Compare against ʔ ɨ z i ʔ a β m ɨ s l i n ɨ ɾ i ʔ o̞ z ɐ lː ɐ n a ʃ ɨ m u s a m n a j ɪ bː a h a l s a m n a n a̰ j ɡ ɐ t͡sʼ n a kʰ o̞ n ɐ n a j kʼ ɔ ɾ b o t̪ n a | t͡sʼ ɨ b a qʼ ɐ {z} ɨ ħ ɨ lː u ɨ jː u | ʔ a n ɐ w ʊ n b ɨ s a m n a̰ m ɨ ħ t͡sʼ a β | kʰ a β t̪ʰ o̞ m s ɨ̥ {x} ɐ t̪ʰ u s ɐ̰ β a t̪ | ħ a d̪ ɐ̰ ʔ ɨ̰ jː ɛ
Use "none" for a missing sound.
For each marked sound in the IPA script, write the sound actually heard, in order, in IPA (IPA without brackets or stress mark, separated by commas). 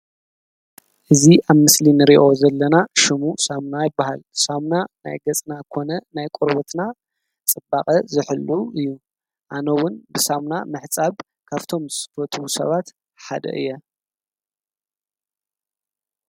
z, f